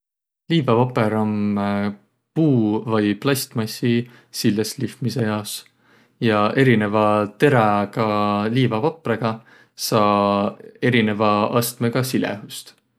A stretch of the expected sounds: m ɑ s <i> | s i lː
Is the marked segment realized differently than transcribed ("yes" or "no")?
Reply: no